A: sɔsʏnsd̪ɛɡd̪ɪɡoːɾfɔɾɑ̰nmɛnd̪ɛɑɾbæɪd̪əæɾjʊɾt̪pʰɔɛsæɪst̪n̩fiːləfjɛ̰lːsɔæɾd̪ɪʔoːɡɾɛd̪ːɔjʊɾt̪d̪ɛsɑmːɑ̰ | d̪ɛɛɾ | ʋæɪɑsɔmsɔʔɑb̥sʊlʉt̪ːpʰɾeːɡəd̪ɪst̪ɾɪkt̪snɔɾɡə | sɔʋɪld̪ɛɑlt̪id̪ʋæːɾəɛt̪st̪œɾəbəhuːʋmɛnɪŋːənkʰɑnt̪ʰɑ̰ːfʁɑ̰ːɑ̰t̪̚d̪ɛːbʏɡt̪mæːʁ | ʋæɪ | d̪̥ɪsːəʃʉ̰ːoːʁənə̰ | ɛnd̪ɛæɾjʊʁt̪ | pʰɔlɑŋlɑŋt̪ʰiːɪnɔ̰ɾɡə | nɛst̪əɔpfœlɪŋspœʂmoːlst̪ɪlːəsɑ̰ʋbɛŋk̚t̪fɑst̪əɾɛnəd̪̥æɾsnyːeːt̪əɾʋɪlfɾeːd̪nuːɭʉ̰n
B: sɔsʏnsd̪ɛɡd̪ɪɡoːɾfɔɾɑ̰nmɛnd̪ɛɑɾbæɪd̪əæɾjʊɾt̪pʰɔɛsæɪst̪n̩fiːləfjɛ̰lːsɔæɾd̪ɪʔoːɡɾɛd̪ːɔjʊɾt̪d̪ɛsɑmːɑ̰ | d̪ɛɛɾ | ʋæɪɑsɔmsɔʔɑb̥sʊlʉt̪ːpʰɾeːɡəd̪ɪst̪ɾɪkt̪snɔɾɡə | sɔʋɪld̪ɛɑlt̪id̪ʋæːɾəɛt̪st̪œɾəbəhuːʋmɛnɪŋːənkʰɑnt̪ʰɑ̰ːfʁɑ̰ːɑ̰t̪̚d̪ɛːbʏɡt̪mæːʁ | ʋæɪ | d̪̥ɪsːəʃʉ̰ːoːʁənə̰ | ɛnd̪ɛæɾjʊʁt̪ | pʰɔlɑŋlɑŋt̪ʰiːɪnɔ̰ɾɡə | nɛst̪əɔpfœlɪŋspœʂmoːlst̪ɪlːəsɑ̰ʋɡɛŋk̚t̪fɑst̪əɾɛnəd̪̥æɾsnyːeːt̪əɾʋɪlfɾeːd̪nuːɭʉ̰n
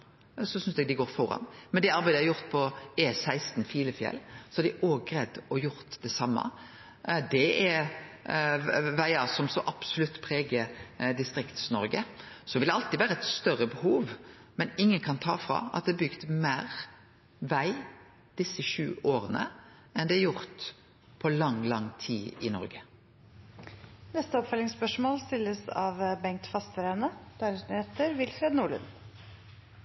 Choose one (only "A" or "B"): A